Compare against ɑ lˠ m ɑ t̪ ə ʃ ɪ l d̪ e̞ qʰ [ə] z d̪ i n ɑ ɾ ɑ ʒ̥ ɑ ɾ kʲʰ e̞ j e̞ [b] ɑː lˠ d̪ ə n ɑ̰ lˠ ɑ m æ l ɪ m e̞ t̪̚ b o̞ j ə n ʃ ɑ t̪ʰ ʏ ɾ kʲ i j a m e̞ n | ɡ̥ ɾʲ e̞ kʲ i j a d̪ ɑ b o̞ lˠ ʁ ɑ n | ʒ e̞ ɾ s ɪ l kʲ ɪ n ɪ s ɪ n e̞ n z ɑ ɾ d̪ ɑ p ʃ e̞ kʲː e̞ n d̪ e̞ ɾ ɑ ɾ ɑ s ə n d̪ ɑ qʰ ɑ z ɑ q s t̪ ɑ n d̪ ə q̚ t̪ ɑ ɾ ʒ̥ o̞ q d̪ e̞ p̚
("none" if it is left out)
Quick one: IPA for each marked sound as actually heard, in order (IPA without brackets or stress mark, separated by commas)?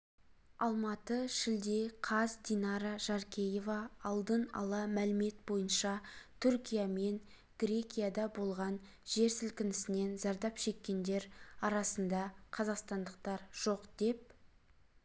ɑ, v